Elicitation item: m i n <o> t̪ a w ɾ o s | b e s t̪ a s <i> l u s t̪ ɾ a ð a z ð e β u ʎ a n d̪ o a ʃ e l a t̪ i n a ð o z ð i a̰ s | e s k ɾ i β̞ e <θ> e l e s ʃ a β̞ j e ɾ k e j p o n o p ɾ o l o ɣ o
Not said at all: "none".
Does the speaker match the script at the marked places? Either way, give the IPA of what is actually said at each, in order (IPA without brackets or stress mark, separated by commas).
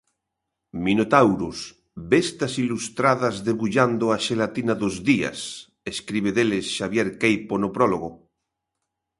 o, i, ð